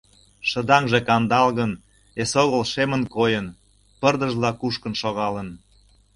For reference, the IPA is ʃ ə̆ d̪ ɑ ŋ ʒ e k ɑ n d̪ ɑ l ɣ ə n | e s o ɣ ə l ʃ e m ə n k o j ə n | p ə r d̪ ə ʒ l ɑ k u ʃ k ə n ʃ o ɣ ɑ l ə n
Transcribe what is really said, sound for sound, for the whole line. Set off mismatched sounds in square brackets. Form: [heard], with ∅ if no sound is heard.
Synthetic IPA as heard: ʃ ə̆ d̪ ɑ ŋ ʒ e k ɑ n d̪ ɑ l ɣ ə n | e s o ɣ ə l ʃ e m ə n k o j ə n | p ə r d̪ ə ʒ l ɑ k u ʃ k ə n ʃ o ɣ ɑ l ə n